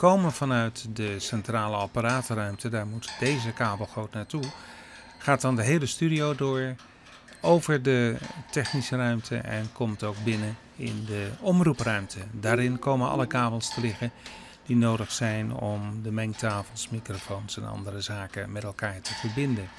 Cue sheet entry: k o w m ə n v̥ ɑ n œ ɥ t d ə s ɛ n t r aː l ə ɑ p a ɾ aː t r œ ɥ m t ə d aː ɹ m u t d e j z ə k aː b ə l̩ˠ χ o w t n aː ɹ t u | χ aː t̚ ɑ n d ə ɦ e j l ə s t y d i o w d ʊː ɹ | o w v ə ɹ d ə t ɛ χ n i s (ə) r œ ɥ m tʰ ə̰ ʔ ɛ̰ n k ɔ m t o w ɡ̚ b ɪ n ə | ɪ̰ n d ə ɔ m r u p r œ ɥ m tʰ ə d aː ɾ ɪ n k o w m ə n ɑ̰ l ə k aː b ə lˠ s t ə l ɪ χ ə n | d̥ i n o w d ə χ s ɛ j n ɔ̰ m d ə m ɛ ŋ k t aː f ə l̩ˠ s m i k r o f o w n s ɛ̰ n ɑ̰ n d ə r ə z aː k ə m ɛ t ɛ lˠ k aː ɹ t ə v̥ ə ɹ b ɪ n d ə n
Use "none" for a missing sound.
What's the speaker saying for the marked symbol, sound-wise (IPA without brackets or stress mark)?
ə